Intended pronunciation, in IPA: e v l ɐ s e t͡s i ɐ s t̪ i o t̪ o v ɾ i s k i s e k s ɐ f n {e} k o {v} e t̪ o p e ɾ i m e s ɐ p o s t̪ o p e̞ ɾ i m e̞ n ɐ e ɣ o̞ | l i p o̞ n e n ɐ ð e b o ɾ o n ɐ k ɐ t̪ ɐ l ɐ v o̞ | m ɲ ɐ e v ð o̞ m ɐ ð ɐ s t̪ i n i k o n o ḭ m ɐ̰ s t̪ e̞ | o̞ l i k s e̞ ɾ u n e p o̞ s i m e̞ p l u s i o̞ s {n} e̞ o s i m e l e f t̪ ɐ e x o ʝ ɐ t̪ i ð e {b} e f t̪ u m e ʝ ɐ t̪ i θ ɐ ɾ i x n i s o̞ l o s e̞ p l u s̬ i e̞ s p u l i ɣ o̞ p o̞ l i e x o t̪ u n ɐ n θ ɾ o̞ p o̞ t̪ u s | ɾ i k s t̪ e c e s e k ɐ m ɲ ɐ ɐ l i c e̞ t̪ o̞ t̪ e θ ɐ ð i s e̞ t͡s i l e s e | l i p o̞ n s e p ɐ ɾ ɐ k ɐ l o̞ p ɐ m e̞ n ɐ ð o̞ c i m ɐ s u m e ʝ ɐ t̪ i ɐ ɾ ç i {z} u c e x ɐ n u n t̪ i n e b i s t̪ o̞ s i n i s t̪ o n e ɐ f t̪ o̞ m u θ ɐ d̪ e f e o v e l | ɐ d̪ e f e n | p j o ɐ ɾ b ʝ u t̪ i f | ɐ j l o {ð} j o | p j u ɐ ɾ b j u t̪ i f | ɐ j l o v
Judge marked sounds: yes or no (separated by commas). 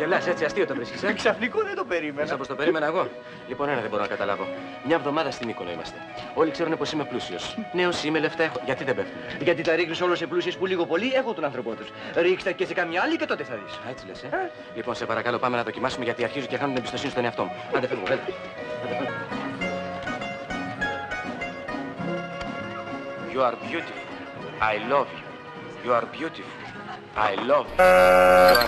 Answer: no, no, yes, yes, yes, no